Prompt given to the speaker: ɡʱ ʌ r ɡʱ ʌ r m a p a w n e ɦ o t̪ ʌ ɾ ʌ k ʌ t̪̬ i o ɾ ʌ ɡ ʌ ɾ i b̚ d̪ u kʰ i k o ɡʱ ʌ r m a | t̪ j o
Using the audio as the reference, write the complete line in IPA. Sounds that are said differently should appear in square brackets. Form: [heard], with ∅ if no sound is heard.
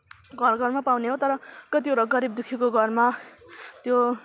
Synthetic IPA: ɡʱ ʌ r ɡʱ ʌ r m a p a w n e ɦ o t̪ ʌ ɾ ʌ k ʌ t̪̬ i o ɾ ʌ ɡ ʌ ɾ i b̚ d̪ u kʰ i k o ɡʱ ʌ r m a | t̪ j o